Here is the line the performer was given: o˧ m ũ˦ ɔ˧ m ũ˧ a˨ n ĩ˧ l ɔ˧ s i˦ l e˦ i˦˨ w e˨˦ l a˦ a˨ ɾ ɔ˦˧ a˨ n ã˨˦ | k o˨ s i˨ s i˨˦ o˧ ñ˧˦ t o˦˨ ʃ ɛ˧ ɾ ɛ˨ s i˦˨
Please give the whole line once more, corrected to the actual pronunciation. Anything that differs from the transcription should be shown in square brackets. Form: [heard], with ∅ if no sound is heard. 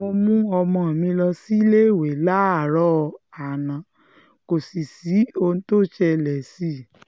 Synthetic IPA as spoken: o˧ m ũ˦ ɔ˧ m [ɔ̃˧] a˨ [m] ĩ˧ l ɔ˧ s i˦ l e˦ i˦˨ w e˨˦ l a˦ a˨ ɾ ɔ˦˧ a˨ n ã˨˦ | k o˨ s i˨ s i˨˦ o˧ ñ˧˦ t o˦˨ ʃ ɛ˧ [l] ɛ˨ s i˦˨

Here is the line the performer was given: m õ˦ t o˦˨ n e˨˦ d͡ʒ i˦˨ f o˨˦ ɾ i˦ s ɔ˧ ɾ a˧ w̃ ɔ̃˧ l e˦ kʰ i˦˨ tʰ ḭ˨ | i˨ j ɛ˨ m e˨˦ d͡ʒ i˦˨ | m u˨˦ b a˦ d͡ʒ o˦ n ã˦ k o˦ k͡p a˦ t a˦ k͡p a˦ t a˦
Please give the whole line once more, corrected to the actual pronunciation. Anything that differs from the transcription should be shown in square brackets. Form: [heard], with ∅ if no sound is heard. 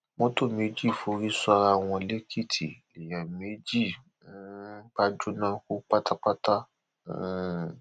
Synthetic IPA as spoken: m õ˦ t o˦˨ [m] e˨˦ d͡ʒ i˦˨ f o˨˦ ɾ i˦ s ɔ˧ ɾ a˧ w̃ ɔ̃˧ l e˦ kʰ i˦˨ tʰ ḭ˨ | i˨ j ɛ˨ m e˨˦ d͡ʒ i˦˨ | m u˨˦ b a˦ d͡ʒ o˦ n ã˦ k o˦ k͡p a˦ t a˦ k͡p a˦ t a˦

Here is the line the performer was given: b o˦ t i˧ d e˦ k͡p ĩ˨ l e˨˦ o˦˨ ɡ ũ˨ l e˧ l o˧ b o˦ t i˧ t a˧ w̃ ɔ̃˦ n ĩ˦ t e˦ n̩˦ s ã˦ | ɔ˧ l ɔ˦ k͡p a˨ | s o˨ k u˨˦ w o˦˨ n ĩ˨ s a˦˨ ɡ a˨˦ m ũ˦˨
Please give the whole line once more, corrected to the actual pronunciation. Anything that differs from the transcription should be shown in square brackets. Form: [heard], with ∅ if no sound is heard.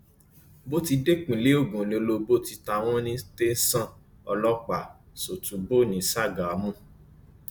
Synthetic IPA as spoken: b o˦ t i˧ d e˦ k͡p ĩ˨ l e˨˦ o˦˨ ɡ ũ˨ l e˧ l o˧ b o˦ t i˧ t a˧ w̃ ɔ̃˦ n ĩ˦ t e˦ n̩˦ s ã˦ | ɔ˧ l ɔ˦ k͡p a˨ | s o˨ [t] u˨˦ [b] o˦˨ n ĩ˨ s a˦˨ ɡ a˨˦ m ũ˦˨

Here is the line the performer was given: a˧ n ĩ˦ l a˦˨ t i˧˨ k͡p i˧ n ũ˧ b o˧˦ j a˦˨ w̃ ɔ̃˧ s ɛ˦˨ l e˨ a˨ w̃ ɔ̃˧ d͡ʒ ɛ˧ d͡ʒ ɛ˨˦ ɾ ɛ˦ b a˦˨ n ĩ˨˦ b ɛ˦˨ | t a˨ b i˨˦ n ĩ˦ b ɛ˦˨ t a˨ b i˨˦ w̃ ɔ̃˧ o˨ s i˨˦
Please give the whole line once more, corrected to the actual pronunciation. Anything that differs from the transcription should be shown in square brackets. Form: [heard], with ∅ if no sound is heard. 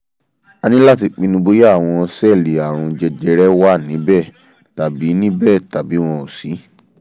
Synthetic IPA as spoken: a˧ n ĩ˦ l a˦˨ t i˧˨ k͡p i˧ n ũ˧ b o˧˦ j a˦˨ w̃ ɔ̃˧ s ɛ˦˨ l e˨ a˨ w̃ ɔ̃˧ d͡ʒ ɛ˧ d͡ʒ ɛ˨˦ ɾ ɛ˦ [w] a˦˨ n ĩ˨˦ b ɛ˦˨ | t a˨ b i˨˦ n ĩ˦ b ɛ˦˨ t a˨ b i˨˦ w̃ ɔ̃˧ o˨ s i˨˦

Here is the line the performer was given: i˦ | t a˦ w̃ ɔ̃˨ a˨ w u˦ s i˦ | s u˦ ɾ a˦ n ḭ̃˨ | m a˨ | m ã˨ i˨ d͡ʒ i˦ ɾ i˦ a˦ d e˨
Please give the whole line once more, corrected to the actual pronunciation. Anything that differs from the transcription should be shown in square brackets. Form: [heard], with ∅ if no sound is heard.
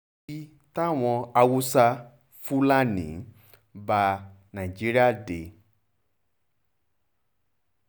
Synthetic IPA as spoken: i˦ | t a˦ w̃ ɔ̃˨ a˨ w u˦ s [a˦] | [f] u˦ [l] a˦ n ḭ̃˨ | [b] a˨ | [n] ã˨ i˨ d͡ʒ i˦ ɾ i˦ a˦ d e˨

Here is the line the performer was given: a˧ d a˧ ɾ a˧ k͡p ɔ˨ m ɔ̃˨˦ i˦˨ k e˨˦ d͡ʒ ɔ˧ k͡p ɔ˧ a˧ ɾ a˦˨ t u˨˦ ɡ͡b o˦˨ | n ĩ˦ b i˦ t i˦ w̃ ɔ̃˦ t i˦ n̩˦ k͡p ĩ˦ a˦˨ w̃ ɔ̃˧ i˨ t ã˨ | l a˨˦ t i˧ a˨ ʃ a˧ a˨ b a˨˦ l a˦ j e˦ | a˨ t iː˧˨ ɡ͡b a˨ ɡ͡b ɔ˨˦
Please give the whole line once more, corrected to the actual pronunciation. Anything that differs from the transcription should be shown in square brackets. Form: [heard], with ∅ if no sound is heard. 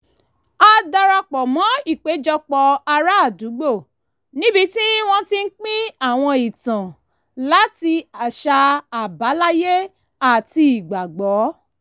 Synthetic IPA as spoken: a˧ d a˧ ɾ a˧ k͡p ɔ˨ m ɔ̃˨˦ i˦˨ [k͡p] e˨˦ d͡ʒ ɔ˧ k͡p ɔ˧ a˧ ɾ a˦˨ [d] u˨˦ ɡ͡b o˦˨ | n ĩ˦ b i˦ t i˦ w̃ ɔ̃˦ t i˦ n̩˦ k͡p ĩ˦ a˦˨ w̃ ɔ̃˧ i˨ t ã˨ | l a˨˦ t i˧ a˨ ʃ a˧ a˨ b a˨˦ l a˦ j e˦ | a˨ t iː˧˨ ɡ͡b a˨ ɡ͡b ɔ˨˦

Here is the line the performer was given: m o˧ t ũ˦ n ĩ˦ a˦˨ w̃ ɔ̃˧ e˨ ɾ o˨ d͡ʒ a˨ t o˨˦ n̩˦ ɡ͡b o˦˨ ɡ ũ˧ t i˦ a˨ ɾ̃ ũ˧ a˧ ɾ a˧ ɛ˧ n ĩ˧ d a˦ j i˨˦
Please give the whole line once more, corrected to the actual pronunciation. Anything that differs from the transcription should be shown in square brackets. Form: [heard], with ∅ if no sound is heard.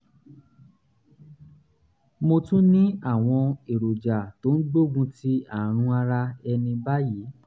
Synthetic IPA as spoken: m o˧ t ũ˦ n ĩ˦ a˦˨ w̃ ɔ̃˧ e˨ ɾ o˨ d͡ʒ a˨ t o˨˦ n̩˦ ɡ͡b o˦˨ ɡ ũ˧ t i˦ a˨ ɾ̃ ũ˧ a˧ ɾ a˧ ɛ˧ n ĩ˧ [b] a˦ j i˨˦

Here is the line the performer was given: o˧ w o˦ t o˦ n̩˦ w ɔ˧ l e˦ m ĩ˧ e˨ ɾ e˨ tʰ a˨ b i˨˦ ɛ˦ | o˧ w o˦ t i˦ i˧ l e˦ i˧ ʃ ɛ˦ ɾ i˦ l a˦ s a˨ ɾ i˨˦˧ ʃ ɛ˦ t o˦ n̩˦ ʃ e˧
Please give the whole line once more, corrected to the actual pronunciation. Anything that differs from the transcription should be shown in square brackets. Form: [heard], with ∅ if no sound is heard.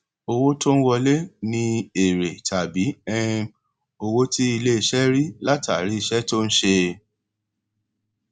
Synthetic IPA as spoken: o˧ w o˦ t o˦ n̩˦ w ɔ˧ l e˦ [n] ĩ˧ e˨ ɾ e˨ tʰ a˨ b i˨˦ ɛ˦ | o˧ w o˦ t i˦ i˧ l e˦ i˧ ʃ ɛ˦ ɾ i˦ l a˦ [t] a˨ ɾ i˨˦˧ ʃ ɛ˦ t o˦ n̩˦ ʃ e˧

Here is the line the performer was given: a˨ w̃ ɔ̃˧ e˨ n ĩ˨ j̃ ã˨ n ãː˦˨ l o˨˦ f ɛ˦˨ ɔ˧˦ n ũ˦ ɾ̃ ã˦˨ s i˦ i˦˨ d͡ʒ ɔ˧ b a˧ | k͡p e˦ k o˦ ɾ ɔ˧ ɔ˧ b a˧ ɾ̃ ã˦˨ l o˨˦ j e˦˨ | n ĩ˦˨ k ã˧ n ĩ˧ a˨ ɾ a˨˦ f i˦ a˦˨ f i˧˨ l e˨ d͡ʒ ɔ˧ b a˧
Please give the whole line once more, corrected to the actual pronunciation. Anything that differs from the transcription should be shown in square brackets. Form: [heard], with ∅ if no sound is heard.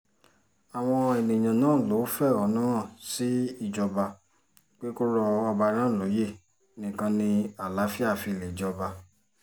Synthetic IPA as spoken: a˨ w̃ ɔ̃˧ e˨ n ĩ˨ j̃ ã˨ n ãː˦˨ l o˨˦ f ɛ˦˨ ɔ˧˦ n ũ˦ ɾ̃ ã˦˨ s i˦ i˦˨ d͡ʒ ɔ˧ b a˧ | k͡p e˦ k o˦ ɾ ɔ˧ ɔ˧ b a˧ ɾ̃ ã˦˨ l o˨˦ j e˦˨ | n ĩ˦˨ k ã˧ n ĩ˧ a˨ [l] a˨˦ f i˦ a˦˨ f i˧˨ l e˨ d͡ʒ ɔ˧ b a˧

